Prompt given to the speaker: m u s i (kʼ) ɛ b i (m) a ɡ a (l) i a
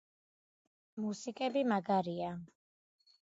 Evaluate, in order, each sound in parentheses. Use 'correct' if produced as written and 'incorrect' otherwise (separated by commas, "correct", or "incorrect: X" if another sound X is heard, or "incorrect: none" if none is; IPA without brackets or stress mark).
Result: correct, correct, incorrect: ɾ